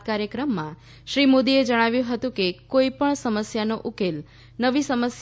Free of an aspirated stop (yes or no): yes